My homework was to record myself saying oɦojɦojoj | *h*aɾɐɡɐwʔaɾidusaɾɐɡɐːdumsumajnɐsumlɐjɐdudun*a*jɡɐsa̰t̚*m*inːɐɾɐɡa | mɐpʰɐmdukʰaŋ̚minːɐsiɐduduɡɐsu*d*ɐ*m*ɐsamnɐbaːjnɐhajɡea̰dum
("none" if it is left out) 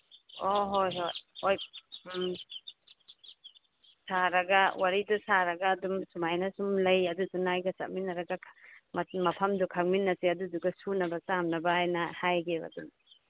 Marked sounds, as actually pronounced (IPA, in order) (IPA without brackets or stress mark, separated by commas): s, a, m, n, b